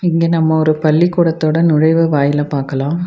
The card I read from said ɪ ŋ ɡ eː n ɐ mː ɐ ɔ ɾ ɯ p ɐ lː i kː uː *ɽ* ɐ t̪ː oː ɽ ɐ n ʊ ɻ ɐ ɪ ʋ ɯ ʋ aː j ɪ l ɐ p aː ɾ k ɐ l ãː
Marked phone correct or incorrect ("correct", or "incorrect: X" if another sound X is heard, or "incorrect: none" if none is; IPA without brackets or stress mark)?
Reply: correct